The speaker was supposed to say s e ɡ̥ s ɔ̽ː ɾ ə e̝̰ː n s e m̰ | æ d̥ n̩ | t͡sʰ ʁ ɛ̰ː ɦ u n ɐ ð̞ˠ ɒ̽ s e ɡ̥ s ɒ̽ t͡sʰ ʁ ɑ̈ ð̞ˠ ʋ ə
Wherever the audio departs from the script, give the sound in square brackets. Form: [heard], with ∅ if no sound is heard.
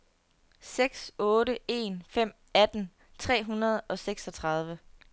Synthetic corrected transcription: s e ɡ̥ s ɔ̽ː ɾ ə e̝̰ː n [f] e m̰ | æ d̥ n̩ | t͡sʰ ʁ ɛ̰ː ɦ u n ɐ ð̞ˠ ɒ̽ s e ɡ̥ s ɒ̽ t͡sʰ ʁ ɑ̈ ð̞ˠ ʋ ə